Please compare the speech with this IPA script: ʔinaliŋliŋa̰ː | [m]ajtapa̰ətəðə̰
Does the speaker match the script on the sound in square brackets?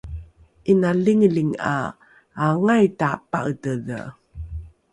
no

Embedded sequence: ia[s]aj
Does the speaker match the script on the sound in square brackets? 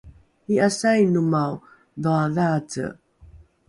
yes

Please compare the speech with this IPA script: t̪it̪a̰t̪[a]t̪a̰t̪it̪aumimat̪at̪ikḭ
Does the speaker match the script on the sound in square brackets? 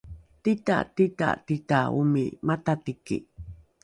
no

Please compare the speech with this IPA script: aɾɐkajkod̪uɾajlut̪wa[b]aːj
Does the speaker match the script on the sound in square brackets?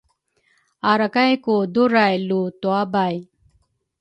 yes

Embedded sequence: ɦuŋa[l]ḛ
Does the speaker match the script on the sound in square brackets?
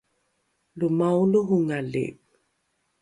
yes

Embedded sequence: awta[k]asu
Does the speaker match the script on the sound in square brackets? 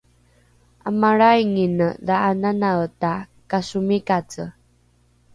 yes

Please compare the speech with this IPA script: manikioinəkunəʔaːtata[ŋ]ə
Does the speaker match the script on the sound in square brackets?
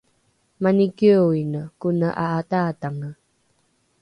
yes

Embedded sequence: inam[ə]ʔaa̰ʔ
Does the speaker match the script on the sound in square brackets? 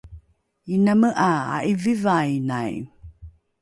yes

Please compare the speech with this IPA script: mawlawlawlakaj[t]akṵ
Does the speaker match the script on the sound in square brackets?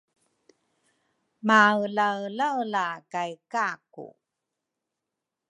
no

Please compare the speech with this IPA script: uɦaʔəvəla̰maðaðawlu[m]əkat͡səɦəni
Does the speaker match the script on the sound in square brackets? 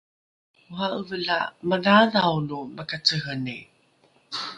yes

